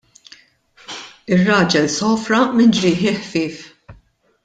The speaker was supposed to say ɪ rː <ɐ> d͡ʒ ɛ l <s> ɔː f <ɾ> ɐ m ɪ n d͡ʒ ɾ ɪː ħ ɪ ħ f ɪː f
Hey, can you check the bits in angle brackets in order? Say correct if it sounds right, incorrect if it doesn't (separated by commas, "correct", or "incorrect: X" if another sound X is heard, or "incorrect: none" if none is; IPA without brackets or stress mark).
incorrect: ɐː, correct, correct